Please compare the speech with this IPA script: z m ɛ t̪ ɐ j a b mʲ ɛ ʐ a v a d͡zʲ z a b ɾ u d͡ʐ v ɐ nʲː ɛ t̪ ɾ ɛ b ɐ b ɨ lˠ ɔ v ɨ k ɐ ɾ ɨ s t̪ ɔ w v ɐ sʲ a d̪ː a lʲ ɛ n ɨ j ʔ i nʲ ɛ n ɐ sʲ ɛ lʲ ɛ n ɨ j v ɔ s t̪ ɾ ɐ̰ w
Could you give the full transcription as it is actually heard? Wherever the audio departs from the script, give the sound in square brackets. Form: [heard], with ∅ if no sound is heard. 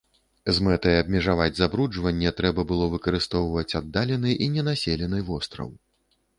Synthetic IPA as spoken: z m ɛ t̪ ɐ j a b mʲ ɛ ʐ a v a d͡zʲ z a b ɾ u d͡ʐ v ɐ nʲː ɛ t̪ ɾ ɛ b ɐ b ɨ lˠ ɔ v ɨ k ɐ ɾ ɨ s t̪ ɔ w v ɐ [t͡sʲ] a d̪ː a lʲ ɛ n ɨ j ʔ i nʲ ɛ n [a] sʲ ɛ lʲ ɛ n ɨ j v ɔ s t̪ ɾ ɐ̰ w